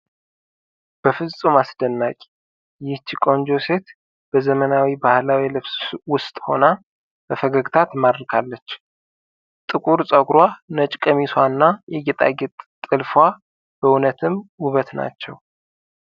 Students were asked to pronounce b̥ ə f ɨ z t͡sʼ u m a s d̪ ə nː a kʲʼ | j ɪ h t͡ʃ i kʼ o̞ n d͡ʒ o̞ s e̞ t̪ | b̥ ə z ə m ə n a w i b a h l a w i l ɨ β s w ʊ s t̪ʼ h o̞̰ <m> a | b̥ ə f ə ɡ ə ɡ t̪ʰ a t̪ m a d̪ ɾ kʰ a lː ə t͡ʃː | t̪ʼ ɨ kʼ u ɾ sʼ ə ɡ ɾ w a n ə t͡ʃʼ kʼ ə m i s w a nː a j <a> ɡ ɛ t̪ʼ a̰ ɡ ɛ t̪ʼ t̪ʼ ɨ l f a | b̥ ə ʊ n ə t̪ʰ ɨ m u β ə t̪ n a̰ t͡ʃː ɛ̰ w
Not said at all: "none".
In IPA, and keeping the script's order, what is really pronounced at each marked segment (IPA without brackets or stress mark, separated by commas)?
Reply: n, ɛ